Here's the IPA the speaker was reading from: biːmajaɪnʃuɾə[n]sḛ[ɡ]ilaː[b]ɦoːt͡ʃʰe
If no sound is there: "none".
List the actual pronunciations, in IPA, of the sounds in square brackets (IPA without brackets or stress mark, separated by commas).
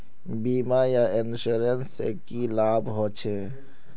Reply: n, k, b